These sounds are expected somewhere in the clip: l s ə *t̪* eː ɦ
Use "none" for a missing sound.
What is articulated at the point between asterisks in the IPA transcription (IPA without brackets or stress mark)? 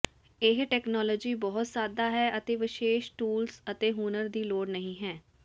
t̪